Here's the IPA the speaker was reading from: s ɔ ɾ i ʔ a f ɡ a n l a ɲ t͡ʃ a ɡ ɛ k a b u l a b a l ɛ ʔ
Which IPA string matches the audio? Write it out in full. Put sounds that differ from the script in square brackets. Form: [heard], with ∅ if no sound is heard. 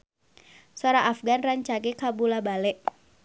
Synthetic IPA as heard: s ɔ ɾ [a] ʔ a f ɡ a n [r] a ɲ t͡ʃ a ɡ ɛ k a b u l a b a l ɛ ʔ

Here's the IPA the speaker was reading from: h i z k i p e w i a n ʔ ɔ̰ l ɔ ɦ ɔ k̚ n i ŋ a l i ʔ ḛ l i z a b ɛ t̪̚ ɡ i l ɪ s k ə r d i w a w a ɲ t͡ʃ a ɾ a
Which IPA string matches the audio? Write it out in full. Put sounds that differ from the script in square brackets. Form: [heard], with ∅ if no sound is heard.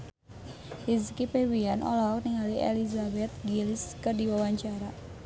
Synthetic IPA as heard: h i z k i p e w i a n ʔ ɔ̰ l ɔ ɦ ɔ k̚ n i ŋ a l i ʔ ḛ l i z a b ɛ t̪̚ ɡ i l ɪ s k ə r d i w a w a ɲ t͡ʃ a ɾ a

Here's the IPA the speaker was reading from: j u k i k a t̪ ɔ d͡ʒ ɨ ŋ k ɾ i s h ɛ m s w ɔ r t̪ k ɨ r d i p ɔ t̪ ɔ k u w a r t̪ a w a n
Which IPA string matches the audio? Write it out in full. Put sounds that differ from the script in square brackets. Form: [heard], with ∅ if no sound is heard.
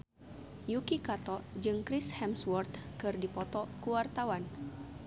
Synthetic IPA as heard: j u k i k a t̪ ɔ d͡ʒ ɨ ŋ k ɾ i s h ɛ m s w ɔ r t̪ k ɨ r d i p ɔ t̪ ɔ k u w a r t̪ a w a n

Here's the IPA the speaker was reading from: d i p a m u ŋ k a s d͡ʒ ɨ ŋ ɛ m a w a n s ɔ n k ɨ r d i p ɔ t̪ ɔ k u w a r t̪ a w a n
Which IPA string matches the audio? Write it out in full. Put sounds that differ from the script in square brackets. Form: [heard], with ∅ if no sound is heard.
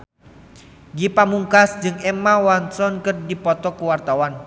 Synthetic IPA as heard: [ɡ] i p a m u ŋ k a s d͡ʒ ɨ ŋ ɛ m a w a n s ɔ n k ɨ r d i p ɔ t̪ ɔ k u w a r t̪ a w a n

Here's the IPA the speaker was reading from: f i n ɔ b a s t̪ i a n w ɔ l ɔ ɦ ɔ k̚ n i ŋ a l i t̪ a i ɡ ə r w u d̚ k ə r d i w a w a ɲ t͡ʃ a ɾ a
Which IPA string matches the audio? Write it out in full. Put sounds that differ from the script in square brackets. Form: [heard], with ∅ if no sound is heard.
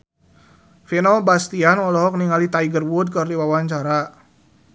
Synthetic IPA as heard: f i n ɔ b a s t̪ i a n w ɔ l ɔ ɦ ɔ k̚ n i ŋ a l i t̪ a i ɡ ə r w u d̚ k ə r d i w a w a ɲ t͡ʃ a ɾ a

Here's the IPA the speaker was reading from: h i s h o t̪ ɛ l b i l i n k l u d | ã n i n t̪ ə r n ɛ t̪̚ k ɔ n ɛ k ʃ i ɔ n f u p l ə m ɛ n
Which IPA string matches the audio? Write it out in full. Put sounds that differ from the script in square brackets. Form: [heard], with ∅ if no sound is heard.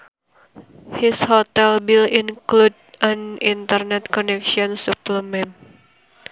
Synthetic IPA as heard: h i s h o t̪ ɛ l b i l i n k l u d | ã n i n t̪ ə r n ɛ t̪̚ k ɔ n ɛ k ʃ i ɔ n [s] u p l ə m ɛ n

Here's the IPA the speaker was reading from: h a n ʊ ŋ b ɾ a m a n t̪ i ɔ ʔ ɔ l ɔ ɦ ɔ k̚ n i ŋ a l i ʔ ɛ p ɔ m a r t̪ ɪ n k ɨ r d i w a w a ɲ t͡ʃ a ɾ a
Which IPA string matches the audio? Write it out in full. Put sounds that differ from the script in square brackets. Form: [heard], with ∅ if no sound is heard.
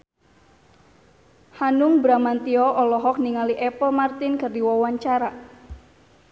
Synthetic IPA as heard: h a n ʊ ŋ b ɾ a m a n t̪ i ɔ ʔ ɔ l ɔ ɦ ɔ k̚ n i ŋ a l i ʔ ɛ p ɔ m a r t̪ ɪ n k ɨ r d i w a w a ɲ t͡ʃ a ɾ a

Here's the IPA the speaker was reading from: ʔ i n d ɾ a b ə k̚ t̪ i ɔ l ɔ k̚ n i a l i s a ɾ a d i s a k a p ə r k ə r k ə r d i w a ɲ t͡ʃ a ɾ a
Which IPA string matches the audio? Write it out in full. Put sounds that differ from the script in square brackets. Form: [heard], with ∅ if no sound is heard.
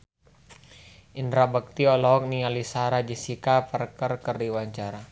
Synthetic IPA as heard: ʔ i n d ɾ a b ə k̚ t̪ i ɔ l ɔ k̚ n i a l i s a ɾ a [d͡ʒ] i s [i] k a p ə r k ə r k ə r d i w a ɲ t͡ʃ a ɾ a

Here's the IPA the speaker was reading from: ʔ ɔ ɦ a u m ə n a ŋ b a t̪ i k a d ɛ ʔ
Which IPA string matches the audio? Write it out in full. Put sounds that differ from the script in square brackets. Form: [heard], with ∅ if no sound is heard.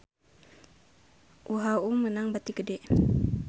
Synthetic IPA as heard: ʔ [u] ɦ a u m ə n a ŋ b a t̪ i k [ə] d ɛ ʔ

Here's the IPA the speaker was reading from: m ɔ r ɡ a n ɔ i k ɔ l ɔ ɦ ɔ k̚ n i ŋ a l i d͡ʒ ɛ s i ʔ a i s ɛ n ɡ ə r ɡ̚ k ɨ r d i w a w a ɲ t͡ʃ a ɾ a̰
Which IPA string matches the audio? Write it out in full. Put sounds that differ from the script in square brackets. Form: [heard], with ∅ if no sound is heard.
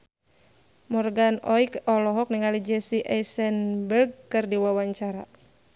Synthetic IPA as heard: m ɔ r ɡ a n ɔ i k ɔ l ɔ ɦ ɔ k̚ n i ŋ a l i d͡ʒ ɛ s i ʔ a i s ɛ n [b] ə r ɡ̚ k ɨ r d i w a w a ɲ t͡ʃ a ɾ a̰

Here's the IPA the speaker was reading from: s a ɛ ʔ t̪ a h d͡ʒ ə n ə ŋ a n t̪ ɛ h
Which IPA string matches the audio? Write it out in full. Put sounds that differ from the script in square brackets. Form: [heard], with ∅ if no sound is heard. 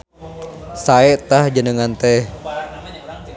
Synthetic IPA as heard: s a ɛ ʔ t̪ a h d͡ʒ ə n ə ŋ a n t̪ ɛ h

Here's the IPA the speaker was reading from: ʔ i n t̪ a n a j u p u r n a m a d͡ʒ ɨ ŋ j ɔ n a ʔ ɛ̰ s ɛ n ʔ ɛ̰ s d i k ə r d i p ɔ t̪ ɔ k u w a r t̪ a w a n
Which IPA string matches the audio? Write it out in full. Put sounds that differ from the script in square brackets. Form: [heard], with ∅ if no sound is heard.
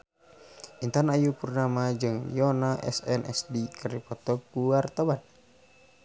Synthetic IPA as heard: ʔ i n t̪ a n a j u p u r n a m a d͡ʒ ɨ ŋ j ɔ n a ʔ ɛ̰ s ɛ n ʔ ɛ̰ s d i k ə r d i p ɔ t̪ ɔ k u w a r t̪ a w a n

